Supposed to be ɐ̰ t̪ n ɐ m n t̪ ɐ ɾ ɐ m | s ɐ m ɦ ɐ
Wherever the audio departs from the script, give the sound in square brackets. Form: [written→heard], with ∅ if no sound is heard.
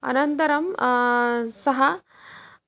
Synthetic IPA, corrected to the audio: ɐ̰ [t̪→∅] n ɐ [m→∅] n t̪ ɐ ɾ ɐ m | s ɐ [m→∅] ɦ ɐ